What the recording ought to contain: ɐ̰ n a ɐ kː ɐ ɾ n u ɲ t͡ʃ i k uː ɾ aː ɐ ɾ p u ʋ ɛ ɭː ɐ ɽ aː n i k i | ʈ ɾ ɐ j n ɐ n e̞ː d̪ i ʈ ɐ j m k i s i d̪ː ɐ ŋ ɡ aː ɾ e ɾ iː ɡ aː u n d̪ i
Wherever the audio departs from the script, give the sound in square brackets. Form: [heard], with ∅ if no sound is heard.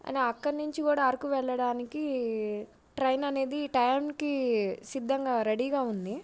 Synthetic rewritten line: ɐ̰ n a ɐ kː ɐ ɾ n u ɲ t͡ʃ i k uː [ɽ] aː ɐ ɾ [k] u ʋ ɛ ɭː ɐ ɽ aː n i k i | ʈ ɾ ɐ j n ɐ n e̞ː d̪ i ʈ ɐ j m k i s i d̪ː ɐ ŋ ɡ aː ɾ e [ɽ] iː ɡ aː u n d̪ i

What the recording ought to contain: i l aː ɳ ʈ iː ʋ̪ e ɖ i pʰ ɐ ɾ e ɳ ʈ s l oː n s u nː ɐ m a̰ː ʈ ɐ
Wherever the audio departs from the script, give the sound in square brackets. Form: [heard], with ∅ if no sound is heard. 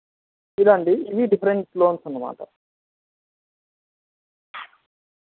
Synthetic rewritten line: i l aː ɳ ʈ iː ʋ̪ [i] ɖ i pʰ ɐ ɾ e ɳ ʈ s l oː n s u nː ɐ m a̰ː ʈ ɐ

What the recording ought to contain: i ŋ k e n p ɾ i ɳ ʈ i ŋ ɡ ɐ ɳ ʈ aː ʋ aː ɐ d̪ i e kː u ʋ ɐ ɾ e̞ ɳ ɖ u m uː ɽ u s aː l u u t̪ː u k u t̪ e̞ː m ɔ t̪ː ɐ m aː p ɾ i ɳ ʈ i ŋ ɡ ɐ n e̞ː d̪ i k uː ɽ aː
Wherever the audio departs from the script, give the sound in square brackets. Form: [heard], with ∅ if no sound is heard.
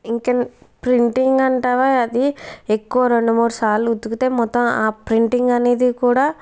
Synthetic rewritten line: i ŋ k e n p ɾ i ɳ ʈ i ŋ ɡ ɐ ɳ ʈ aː ʋ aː ɐ d̪ i e kː u ʋ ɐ ɾ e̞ ɳ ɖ u m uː ɽ u s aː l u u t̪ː u k u t̪ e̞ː m ɔ t̪ː ɐ m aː p ɾ i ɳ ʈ i ŋ ɡ ɐ n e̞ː d̪ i k uː ɽ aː

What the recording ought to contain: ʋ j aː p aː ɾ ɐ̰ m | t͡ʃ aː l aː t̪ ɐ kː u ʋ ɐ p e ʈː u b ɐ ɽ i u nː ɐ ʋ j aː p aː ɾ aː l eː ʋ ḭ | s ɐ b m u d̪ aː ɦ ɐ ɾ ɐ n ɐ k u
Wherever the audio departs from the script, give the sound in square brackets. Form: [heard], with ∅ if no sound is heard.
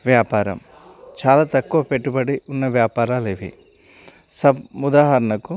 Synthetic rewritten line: ʋ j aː p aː ɾ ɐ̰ m | t͡ʃ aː l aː t̪ ɐ kː u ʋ ɐ p e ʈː u b ɐ ɽ i u nː ɐ ʋ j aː p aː ɾ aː l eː ʋ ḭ | s ɐ b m u d̪ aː ɦ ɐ ɾ ɐ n ɐ k u

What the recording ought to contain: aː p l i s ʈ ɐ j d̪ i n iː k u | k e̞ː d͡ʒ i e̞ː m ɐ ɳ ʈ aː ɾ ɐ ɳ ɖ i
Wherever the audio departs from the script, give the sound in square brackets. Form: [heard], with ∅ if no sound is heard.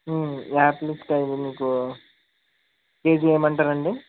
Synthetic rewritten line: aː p l i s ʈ ɐ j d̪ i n iː k u | k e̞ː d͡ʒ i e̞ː m ɐ ɳ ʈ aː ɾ ɐ ɳ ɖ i

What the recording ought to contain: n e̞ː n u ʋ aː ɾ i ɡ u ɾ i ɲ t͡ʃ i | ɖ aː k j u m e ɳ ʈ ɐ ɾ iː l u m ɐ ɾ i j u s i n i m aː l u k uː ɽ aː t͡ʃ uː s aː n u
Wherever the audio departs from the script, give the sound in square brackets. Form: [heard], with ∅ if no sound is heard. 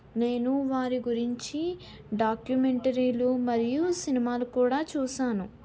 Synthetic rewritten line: n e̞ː n u ʋ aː ɾ i ɡ u ɾ i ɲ t͡ʃ i | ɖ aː k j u m e ɳ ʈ ɐ ɾ iː l u m ɐ ɾ i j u s i n i m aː l u k uː ɽ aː t͡ʃ uː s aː n u

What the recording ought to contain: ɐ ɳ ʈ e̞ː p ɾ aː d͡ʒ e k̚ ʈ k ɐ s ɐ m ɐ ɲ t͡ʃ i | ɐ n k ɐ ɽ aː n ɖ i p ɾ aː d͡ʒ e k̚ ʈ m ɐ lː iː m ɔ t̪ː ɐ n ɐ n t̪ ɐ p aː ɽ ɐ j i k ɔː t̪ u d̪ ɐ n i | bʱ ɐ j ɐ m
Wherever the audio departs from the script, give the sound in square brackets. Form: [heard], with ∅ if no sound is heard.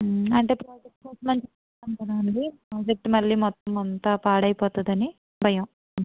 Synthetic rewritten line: ɐ ɳ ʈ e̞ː p ɾ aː d͡ʒ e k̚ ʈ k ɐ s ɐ m ɐ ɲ t͡ʃ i | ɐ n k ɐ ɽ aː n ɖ i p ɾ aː d͡ʒ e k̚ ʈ m ɐ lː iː m ɔ t̪ː ɐ [m] ɐ n t̪ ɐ p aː ɽ ɐ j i [p] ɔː t̪ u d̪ ɐ n i | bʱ ɐ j ɐ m

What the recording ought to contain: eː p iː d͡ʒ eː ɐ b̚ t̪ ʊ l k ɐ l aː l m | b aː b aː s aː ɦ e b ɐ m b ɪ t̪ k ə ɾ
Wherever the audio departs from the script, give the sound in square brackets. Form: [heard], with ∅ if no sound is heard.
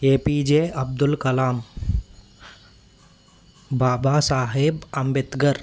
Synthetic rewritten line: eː p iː d͡ʒ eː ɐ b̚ [d̪] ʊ l k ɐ l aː [∅] m | b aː b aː s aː ɦ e b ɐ m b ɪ t̪ [ɡ] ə ɾ

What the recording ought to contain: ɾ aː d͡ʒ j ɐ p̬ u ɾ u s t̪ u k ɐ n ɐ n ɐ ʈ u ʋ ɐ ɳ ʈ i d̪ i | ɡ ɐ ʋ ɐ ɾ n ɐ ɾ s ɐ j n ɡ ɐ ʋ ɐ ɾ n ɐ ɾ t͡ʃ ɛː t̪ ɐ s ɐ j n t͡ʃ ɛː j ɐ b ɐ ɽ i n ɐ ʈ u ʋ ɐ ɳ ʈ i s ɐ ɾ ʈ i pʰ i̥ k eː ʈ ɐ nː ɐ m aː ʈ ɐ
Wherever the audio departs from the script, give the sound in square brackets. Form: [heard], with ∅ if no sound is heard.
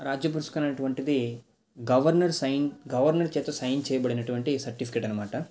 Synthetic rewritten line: ɾ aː d͡ʒ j ɐ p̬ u ɾ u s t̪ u k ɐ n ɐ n ɐ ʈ u ʋ ɐ ɳ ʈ i d̪ i | ɡ ɐ ʋ ɐ ɾ n ɐ ɾ s ɐ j n ɡ ɐ ʋ ɐ ɾ n ɐ ɾ t͡ʃ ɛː t̪ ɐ s ɐ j n t͡ʃ ɛː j ɐ b ɐ ɽ i n ɐ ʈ u ʋ ɐ ɳ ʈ i s ɐ ɾ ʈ i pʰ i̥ k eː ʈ ɐ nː ɐ m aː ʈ ɐ

